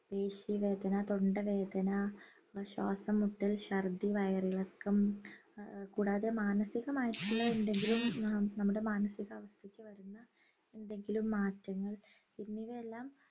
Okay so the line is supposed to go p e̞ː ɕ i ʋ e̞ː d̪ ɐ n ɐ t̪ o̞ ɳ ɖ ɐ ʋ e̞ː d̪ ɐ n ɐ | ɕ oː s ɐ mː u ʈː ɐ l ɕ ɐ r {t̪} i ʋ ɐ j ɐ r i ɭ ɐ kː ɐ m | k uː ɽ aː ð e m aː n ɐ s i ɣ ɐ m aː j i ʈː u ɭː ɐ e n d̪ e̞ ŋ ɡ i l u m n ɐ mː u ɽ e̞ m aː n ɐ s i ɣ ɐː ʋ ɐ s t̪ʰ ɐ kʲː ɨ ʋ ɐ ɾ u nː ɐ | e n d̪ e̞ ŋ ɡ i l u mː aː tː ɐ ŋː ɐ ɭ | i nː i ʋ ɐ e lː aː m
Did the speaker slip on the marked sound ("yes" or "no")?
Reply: yes